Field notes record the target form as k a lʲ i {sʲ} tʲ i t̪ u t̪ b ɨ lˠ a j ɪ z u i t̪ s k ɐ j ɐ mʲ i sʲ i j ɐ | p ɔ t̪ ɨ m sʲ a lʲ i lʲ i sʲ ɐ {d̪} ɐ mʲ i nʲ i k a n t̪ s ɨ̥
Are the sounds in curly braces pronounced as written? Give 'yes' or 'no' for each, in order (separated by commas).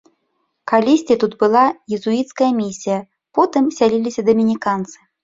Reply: yes, yes